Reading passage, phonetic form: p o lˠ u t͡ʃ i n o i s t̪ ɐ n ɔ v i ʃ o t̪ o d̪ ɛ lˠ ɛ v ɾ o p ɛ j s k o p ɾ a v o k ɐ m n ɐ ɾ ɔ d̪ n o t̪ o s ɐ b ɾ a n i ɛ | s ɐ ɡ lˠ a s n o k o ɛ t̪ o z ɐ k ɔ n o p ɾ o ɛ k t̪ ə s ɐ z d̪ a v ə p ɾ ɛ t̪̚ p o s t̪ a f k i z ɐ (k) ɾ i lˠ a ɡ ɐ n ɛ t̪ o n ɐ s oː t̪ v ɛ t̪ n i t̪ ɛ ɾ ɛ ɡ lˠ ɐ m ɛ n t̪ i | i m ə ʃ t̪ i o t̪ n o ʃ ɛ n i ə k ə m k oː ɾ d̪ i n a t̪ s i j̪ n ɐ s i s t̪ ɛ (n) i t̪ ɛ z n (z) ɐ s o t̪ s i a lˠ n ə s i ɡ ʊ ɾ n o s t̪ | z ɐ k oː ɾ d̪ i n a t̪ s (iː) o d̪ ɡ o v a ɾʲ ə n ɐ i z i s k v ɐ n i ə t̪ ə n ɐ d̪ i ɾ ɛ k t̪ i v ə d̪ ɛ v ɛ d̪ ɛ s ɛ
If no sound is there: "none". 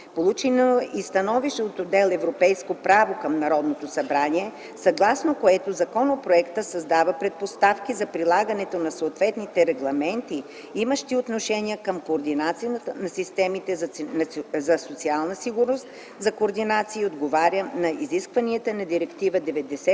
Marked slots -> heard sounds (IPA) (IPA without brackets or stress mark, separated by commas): p, m, z, iː